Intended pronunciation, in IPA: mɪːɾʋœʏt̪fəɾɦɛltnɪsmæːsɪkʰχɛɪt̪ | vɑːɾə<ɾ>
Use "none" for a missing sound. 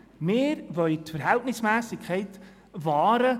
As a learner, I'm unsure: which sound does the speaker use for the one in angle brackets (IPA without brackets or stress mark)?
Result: none